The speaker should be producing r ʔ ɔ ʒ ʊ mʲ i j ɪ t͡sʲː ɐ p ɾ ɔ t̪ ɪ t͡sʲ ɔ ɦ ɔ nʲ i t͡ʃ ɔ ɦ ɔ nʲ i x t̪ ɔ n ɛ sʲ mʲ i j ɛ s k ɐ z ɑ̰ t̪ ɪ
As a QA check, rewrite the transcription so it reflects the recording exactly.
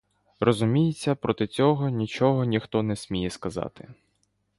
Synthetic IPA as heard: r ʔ ɔ z ʊ mʲ i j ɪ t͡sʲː ɐ p ɾ ɔ t̪ ɪ t͡sʲ ɔ ɦ ɔ nʲ i t͡ʃ ɔ ɦ ɔ nʲ i x t̪ ɔ n ɛ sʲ mʲ i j ɛ s k ɐ z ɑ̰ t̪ ɪ